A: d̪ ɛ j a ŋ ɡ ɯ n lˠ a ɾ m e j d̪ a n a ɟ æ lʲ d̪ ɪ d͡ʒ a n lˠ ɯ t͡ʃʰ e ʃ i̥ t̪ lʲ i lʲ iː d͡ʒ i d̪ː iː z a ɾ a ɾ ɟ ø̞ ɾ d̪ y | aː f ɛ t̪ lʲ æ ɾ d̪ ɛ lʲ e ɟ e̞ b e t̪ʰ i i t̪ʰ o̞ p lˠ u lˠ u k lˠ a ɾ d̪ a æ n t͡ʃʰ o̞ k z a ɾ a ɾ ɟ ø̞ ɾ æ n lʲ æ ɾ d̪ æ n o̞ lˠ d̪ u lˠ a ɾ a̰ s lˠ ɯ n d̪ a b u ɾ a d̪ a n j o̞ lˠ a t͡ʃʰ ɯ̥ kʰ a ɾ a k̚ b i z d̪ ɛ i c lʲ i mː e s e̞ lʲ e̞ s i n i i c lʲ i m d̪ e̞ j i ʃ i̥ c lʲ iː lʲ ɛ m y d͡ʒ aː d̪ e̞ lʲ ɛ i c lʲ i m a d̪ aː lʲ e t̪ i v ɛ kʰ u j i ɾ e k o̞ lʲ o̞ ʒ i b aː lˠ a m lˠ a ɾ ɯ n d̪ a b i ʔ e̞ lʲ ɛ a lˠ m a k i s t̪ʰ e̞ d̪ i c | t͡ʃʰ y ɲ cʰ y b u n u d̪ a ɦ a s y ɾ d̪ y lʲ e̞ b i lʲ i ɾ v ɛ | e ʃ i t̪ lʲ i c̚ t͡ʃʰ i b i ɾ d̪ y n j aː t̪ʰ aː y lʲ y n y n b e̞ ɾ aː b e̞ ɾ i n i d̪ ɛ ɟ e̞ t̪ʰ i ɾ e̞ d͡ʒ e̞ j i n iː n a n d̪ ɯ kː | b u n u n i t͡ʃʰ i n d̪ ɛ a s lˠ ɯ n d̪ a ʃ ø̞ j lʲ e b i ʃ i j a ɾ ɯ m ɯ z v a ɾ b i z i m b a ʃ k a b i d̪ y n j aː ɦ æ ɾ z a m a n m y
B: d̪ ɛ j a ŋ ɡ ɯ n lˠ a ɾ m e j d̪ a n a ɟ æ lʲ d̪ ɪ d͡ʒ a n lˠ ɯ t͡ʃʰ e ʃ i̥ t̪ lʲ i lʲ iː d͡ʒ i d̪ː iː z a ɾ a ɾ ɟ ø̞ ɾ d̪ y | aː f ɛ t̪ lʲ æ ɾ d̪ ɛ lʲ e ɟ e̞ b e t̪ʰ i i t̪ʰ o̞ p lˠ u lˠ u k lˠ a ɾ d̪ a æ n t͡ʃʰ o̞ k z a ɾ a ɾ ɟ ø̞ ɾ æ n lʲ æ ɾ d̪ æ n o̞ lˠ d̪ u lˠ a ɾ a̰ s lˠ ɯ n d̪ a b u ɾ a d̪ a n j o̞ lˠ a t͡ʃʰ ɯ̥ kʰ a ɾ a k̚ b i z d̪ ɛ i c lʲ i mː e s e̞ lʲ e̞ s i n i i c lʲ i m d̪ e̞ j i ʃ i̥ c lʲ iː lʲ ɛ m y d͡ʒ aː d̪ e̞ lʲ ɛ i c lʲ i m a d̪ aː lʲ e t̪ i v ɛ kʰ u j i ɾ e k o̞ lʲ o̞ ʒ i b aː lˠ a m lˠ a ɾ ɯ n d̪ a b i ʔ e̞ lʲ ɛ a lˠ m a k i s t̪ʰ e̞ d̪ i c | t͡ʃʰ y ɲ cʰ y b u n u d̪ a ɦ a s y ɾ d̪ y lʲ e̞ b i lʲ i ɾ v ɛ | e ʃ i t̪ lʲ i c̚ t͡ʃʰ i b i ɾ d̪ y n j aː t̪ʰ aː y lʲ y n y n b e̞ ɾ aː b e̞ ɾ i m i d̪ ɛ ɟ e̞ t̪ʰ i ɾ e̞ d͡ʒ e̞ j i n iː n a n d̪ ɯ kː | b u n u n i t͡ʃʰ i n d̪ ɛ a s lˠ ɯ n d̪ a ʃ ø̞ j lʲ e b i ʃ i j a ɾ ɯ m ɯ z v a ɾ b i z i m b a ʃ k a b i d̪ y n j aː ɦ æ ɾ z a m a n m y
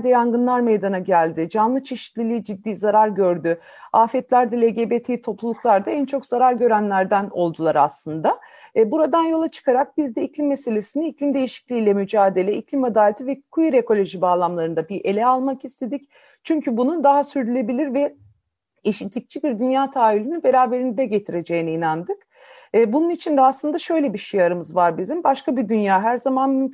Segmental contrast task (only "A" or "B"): A